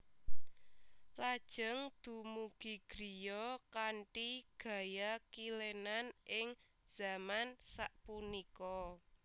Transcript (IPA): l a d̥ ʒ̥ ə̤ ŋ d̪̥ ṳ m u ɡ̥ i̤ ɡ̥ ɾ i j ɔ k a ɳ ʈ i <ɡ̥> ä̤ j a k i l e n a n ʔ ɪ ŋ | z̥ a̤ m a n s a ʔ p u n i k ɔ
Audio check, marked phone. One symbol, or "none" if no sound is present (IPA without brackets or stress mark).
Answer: ɡ̥